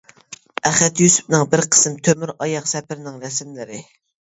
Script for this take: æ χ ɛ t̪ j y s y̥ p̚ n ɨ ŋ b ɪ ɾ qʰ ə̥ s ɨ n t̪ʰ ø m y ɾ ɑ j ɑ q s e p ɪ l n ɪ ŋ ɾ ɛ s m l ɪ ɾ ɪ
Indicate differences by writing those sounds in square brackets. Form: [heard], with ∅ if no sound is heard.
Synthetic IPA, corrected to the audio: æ χ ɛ t̪ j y s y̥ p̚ n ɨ ŋ b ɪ ɾ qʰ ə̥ s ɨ [m] t̪ʰ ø m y ɾ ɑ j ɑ q s [ɛ] p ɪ [ɾ] n ɪ ŋ ɾ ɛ s m l ɪ ɾ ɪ